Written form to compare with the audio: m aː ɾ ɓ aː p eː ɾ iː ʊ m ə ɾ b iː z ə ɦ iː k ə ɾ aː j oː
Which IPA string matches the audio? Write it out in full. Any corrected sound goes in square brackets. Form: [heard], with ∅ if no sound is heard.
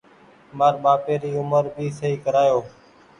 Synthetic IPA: m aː ɾ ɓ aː p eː ɾ iː ʊ m ə ɾ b iː [s] ə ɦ iː k ə ɾ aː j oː